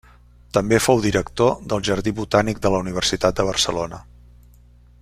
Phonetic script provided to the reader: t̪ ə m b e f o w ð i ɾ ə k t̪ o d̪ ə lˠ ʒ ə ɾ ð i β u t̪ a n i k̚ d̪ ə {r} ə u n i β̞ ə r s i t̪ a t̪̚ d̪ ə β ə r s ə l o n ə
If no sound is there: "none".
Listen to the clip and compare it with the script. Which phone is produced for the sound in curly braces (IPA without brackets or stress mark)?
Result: l